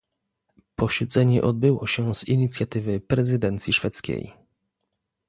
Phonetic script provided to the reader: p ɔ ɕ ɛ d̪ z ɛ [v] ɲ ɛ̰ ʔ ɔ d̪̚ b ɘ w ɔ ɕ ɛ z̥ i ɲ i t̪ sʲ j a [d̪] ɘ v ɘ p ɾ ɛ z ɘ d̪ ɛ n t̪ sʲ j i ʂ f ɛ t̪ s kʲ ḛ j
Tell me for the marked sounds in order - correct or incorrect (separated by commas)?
incorrect, incorrect